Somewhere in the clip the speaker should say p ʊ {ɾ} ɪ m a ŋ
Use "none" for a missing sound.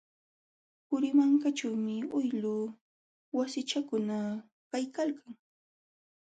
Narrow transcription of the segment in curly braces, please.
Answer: ɾ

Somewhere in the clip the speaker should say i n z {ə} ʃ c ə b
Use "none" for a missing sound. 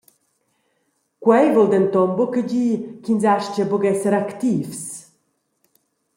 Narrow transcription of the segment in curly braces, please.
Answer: a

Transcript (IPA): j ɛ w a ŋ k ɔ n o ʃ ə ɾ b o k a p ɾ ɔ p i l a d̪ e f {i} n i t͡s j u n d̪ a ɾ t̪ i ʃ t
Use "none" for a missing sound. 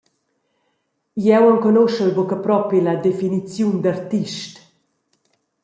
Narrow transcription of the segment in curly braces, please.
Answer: i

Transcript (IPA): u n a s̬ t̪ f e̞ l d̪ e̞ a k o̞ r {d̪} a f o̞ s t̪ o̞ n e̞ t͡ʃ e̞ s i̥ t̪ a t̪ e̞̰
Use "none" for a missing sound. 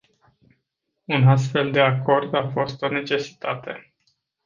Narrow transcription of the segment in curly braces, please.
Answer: d̪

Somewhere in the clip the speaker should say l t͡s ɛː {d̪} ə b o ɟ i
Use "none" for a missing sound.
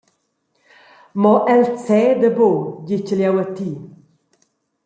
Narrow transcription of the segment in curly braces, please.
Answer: d̪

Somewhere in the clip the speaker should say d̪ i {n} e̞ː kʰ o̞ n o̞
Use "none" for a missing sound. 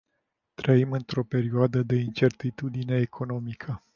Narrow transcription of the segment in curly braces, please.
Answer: n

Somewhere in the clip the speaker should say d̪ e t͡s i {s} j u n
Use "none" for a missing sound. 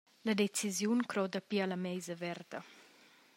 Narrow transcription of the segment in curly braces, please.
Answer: z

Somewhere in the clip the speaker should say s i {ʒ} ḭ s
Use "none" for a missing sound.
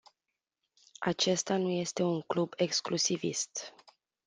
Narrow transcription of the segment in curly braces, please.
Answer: v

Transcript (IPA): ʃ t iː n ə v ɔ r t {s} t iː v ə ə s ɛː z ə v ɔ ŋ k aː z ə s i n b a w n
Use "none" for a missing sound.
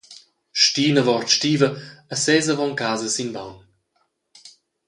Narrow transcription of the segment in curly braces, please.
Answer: ʃ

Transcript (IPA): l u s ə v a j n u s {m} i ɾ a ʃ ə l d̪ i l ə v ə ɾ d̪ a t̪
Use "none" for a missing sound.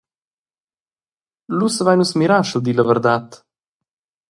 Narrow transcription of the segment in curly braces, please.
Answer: m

